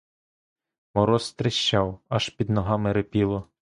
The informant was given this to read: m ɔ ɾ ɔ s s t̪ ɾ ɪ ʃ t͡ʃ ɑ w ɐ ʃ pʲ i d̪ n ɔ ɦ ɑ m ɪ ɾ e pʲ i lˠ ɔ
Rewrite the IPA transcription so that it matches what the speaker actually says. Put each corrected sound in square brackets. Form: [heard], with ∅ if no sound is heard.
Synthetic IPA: m ɔ ɾ ɔ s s t̪ ɾ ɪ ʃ t͡ʃ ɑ w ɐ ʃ pʲ i d̪ n ɔ ɦ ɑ m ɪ ɾ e pʲ i lˠ ɔ